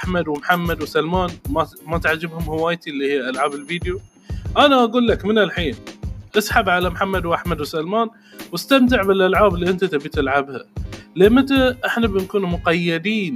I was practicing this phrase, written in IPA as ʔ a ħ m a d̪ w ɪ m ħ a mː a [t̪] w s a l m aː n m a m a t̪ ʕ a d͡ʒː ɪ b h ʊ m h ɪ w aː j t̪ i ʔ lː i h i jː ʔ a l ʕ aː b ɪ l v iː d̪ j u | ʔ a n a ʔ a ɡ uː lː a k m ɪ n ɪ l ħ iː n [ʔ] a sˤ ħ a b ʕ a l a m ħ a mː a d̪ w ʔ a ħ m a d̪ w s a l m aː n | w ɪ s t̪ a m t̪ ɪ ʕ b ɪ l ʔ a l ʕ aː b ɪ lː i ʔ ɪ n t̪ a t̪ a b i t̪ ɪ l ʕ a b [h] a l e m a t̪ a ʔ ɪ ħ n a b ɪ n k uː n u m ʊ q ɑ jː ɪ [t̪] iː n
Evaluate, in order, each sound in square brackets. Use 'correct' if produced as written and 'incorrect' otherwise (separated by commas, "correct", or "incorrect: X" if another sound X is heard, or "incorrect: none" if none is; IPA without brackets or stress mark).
incorrect: d̪, correct, correct, incorrect: d̪